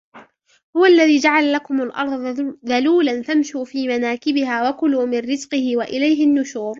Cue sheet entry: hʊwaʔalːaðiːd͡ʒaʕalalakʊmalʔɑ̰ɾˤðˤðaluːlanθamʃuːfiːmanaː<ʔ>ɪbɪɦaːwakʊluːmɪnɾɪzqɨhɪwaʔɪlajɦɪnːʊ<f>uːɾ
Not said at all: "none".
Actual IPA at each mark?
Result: k, ʃ

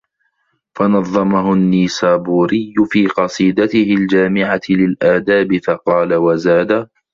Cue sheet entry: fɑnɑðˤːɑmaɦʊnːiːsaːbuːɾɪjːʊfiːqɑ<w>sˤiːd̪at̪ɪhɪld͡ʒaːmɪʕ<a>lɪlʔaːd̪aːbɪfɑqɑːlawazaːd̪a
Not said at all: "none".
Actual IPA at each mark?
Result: none, a

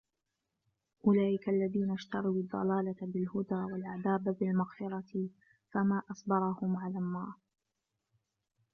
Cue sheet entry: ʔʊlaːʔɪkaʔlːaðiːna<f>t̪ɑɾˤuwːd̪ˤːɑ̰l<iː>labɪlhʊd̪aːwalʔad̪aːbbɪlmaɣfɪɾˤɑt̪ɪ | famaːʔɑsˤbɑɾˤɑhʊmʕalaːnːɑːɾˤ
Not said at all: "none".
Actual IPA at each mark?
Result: ʃ, aː

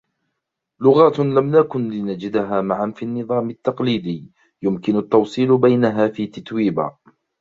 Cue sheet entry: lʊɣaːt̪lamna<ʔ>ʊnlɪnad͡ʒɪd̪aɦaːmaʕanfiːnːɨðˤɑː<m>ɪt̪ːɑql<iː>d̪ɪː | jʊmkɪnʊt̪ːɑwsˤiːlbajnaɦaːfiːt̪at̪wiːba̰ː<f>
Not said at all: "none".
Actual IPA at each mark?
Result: k, m, iː, none

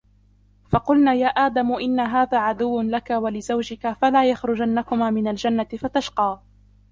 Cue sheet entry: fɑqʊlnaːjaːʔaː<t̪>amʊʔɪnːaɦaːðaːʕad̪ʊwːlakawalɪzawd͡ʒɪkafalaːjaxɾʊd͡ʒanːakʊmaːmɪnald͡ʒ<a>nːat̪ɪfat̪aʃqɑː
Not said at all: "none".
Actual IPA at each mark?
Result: d̪, a

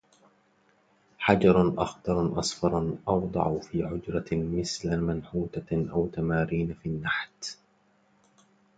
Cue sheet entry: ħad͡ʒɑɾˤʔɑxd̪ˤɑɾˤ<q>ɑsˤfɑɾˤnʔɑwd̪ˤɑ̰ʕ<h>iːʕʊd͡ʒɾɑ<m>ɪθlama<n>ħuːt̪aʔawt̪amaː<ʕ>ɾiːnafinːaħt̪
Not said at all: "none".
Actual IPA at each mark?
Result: ʔ, f, m, n, none

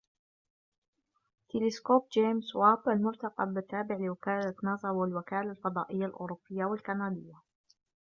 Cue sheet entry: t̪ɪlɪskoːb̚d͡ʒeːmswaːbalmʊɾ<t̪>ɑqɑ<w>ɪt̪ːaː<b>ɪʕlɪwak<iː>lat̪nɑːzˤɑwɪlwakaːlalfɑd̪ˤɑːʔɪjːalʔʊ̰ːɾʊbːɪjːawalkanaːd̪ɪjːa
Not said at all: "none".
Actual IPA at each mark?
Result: t̪, b, b, aː

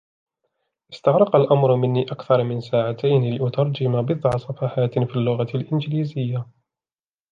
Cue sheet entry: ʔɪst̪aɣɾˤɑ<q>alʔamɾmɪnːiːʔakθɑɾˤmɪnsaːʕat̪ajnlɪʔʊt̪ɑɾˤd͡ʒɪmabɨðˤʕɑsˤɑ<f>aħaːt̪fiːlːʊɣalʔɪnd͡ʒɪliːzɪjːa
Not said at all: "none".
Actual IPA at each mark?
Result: q, f

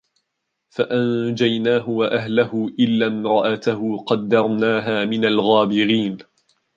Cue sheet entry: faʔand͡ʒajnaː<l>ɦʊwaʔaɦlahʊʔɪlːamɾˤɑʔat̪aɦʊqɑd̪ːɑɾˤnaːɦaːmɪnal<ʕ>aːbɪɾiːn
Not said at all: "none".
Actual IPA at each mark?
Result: none, ɣ

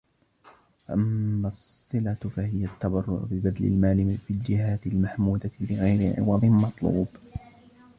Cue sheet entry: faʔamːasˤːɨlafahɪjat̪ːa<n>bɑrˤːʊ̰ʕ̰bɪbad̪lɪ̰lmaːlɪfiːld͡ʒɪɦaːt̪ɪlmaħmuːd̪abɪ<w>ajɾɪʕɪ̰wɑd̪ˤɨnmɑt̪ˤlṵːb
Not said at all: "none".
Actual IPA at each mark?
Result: none, ɣ

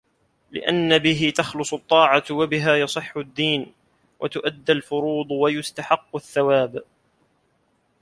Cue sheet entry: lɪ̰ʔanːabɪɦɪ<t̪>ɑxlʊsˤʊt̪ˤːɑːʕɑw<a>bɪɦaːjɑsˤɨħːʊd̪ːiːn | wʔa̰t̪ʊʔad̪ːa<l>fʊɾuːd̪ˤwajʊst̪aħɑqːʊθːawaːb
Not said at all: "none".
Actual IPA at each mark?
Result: t̪, a, l

